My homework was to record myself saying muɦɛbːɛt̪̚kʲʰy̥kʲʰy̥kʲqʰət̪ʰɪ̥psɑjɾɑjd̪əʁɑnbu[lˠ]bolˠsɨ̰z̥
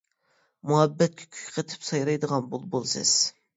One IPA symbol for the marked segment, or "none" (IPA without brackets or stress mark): lˠ